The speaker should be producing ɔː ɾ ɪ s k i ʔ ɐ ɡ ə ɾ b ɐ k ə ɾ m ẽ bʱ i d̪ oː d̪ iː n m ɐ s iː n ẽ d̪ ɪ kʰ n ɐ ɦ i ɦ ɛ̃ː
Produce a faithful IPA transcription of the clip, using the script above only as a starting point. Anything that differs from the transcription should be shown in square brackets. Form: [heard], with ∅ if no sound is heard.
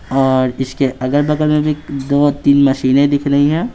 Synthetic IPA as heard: ɔː ɾ ɪ s k [e] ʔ ɐ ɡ ə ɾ b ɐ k ə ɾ m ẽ bʱ i d̪ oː [t̪] iː n m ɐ [ʃ] iː n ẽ d̪ ɪ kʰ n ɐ ɦ i ɦ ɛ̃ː